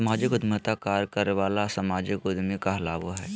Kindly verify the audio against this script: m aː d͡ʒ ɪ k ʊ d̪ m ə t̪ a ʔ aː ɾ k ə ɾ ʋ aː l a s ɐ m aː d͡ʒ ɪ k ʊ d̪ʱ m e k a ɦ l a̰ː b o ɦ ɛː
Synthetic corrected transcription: m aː d͡ʒ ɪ k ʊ d̪ m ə t̪ a k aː ɾ k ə ɾ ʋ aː l a s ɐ m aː d͡ʒ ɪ k ʊ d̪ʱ m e k a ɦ l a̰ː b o ɦ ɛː

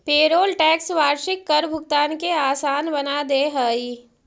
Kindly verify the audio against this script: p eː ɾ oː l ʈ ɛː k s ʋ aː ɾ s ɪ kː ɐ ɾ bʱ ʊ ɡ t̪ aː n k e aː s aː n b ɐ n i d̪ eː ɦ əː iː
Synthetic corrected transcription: p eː ɾ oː l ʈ ɛː k s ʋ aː ɾ ʃ ɪ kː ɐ ɾ bʱ ʊ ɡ t̪ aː n k e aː s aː n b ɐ n a d̪ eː ɦ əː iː

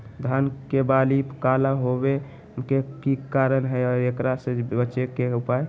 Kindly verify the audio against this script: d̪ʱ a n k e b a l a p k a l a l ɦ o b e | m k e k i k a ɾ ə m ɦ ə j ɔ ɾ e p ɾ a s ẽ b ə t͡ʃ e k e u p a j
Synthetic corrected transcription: d̪ʱ a n k e b a l i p k a l a ɦ o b e | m k e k i k a ɾ ə n ɦ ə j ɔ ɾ e k ɾ a s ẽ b ə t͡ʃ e k e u p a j

